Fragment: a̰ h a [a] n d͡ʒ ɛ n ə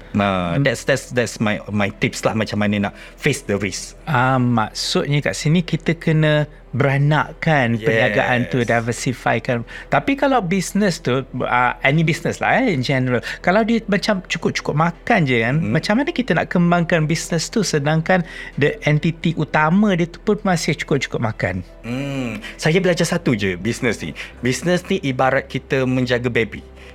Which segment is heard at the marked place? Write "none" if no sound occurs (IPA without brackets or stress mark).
i